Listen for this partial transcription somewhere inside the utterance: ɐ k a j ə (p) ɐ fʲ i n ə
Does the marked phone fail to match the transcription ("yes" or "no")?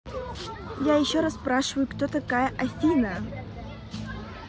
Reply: yes